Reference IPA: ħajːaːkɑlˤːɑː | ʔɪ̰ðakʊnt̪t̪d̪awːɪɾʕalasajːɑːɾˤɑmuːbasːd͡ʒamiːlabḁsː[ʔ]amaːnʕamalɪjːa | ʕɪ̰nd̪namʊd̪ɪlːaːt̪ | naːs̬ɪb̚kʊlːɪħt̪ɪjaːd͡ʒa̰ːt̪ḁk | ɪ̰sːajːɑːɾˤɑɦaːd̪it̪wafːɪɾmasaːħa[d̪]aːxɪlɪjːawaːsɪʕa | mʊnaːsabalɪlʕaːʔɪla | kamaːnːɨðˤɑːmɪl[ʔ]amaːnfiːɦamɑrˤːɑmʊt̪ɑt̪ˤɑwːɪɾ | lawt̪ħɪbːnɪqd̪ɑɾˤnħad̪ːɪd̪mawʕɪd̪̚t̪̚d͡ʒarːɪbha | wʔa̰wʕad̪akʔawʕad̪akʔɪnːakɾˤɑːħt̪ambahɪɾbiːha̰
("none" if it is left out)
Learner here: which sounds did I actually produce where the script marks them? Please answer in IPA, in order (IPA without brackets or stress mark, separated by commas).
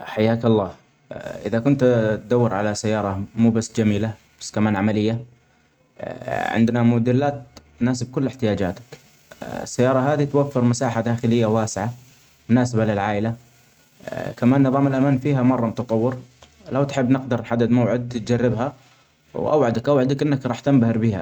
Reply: k, d̪, ʔ